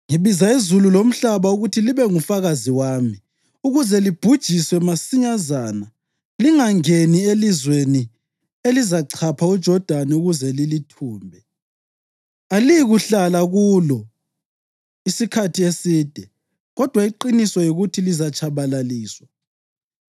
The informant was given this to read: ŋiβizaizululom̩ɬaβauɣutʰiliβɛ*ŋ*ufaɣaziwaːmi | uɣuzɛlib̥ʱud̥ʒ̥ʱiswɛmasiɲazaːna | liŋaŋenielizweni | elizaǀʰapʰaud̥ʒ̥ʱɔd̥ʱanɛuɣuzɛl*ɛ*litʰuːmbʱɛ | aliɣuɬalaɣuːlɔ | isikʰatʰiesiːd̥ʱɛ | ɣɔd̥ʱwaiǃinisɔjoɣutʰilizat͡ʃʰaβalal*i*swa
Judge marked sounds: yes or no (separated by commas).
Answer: yes, no, no